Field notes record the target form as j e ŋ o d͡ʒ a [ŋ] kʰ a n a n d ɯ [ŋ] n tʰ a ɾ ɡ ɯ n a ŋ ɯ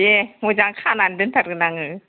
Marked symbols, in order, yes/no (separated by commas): yes, no